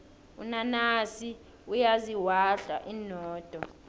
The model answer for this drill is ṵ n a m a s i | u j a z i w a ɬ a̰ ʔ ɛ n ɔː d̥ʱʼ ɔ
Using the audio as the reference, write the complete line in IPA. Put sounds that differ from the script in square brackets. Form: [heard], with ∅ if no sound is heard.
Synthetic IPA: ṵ n a [n] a s i | u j a z i w a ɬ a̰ ʔ [i] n ɔː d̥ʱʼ ɔ